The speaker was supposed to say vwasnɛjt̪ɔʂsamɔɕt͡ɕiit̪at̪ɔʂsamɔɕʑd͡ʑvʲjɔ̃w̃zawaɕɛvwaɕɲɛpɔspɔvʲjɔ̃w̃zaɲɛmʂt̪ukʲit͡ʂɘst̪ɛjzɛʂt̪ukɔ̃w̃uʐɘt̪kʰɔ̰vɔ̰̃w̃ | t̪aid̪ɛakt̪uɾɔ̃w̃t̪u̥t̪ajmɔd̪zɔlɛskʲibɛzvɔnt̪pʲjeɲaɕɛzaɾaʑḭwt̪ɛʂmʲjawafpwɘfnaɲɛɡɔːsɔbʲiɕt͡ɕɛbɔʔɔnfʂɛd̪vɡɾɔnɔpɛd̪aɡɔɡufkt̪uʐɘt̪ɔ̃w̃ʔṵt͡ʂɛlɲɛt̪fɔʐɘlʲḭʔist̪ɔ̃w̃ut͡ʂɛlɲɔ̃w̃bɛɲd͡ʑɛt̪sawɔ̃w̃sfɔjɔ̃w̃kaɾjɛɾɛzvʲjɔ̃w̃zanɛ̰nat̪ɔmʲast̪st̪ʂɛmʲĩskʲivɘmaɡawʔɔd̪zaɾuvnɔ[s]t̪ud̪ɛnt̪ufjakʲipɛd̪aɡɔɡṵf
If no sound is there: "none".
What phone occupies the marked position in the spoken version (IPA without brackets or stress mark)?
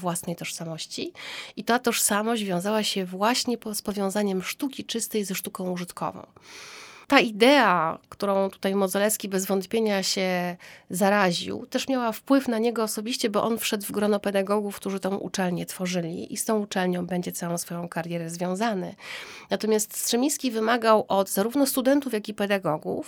s